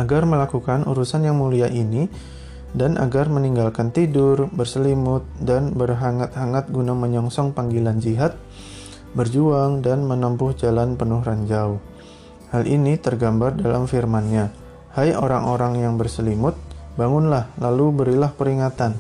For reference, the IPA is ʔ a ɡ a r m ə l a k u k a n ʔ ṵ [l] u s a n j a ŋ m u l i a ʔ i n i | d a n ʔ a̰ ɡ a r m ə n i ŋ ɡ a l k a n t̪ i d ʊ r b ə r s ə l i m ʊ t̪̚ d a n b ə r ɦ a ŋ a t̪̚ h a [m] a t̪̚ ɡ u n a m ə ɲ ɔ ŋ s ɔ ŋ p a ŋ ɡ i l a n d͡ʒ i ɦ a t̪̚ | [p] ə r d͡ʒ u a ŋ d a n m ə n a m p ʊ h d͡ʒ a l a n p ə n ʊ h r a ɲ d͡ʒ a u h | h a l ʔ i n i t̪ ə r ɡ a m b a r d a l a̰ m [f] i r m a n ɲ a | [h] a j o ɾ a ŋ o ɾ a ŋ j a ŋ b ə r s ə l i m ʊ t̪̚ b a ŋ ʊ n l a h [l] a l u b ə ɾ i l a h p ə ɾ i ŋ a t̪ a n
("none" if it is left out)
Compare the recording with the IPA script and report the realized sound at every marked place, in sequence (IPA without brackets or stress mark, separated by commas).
ɾ, ŋ, b, f, h, l